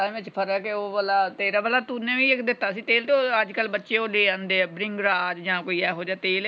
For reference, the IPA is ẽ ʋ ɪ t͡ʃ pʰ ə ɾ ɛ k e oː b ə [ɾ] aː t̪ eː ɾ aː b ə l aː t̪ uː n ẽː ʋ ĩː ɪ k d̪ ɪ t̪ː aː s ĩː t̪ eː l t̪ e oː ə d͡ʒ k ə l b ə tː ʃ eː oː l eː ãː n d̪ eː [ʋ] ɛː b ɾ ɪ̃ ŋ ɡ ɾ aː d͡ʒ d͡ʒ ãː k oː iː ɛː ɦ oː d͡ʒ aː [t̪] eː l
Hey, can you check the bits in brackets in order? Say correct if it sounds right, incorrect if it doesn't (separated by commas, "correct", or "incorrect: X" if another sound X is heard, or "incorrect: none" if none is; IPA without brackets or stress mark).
incorrect: l, incorrect: none, correct